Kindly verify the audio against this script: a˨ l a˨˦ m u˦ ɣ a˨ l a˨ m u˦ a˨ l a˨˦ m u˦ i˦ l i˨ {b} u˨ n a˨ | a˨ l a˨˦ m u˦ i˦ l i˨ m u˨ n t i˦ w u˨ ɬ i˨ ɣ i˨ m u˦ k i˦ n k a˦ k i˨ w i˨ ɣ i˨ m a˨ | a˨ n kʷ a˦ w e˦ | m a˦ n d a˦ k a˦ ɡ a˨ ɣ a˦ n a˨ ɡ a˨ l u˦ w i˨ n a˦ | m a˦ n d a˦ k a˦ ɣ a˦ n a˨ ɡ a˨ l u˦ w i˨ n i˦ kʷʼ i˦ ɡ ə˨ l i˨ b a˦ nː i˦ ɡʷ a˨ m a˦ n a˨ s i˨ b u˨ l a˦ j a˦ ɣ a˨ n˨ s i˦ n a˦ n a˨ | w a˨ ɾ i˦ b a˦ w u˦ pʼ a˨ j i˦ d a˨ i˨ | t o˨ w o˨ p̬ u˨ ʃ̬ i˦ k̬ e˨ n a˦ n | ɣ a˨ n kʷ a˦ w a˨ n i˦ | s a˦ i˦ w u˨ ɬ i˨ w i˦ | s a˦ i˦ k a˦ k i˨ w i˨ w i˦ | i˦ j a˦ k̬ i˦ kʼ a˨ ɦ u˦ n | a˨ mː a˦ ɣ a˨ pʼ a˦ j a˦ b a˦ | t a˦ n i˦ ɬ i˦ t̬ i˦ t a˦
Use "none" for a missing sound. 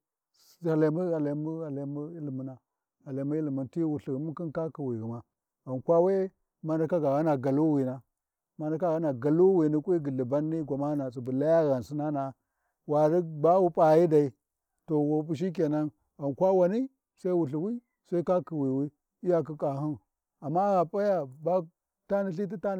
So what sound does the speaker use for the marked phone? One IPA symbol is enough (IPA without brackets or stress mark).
m